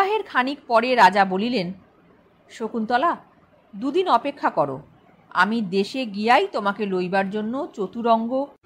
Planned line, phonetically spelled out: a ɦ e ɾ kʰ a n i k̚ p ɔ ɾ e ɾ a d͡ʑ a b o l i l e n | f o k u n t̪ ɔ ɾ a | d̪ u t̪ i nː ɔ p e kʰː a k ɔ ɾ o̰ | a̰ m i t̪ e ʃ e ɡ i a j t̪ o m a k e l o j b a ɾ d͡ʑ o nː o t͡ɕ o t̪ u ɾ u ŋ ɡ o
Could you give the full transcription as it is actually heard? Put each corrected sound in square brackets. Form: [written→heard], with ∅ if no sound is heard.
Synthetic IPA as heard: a ɦ e ɾ kʰ a n i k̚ p ɔ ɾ e ɾ a d͡ʑ a b o l i l e n | [f→ʃ] o k u n t̪ ɔ [ɾ→l] a | d̪ u [t̪→d̪] i [nː→n] ɔ p e kʰː a k ɔ ɾ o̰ | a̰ m i [t̪→d̪] e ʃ e ɡ i a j t̪ o m a k e l o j b a ɾ d͡ʑ o nː o t͡ɕ o t̪ u ɾ [u→ɔ] ŋ ɡ o